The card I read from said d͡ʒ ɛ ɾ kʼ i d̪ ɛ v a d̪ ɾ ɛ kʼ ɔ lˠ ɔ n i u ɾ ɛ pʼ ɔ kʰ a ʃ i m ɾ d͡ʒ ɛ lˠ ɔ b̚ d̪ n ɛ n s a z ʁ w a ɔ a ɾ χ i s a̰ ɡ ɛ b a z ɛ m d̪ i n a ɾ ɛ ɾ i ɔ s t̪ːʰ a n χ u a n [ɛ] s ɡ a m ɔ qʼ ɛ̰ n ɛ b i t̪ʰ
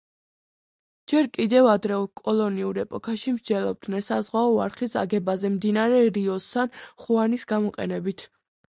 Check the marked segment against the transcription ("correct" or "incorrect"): incorrect